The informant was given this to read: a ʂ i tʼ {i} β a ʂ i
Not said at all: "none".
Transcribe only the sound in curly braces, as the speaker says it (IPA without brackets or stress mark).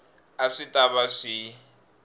a